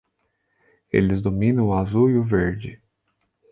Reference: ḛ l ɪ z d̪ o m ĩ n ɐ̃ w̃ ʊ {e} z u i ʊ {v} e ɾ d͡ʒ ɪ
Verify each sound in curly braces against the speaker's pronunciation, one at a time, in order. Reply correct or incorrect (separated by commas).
incorrect, correct